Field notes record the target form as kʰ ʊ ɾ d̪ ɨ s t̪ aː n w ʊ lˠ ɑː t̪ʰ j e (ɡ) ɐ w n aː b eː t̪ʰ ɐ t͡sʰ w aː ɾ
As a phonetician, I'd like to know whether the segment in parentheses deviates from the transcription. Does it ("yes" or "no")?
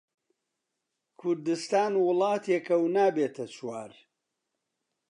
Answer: yes